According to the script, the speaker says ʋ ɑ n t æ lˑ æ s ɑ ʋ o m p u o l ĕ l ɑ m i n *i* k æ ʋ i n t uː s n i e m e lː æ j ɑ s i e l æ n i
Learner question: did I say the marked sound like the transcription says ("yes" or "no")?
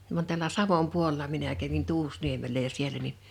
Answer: no